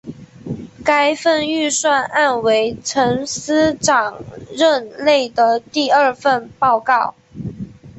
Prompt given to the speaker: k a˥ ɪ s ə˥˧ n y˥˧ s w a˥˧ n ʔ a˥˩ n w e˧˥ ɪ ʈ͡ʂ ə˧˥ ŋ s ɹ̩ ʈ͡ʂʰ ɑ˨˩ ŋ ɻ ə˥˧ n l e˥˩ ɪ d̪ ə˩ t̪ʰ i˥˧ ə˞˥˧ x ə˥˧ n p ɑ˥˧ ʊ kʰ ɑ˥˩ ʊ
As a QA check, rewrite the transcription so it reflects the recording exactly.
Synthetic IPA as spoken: k a˥ ɪ f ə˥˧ n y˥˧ s w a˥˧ n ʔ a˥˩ n w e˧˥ ɪ ʈ͡ʂʰ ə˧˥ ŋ s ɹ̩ ʈ͡ʂ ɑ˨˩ ŋ ɻ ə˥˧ n l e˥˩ ɪ d̪ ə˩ t̪ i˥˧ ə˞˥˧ f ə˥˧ n p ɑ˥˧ ʊ k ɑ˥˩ ʊ